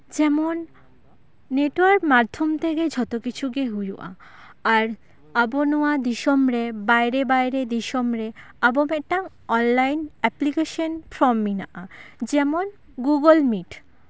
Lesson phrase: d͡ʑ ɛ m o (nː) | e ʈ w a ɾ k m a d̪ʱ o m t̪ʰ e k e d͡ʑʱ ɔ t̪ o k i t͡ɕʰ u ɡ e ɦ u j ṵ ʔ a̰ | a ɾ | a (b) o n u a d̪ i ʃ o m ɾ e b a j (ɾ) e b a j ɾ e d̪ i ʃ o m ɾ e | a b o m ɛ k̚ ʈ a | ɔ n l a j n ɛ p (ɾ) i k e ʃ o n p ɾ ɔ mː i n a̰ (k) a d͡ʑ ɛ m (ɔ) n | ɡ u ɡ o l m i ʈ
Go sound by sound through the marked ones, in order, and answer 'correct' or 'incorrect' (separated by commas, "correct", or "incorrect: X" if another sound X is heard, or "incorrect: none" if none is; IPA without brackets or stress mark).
correct, correct, correct, incorrect: l, incorrect: ʔ, incorrect: o